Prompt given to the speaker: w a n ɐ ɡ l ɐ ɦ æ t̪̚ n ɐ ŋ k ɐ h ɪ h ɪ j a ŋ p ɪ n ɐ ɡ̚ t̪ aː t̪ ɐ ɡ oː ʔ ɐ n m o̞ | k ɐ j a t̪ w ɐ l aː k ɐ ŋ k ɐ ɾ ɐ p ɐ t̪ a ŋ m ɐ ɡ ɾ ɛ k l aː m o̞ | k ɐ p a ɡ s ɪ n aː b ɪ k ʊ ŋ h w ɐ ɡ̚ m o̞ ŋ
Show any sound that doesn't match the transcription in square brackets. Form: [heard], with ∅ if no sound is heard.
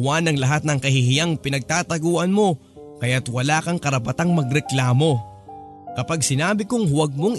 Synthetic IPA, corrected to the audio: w a n ɐ [ŋ] l ɐ ɦ [a] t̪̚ n ɐ ŋ k ɐ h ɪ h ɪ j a ŋ p ɪ n ɐ ɡ̚ t̪ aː t̪ ɐ ɡ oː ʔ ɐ n m o̞ | k ɐ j a t̪ w ɐ l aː k ɐ ŋ k ɐ ɾ ɐ p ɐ t̪ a ŋ m ɐ ɡ ɾ ɛ k l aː m o̞ | k ɐ p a ɡ s ɪ n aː b ɪ k ʊ ŋ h w ɐ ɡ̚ m o̞ ŋ